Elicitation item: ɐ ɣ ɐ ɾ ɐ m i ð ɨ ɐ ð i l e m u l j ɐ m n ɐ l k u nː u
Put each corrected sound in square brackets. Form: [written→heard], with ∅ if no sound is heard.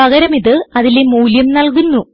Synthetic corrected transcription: ɐ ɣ ɐ ɾ ɐ m i ð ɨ ɐ ð i l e m [u→uː] l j ɐ m n ɐ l k u nː u